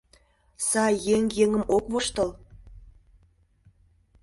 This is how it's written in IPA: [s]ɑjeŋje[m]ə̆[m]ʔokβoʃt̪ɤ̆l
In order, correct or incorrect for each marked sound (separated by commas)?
correct, incorrect, correct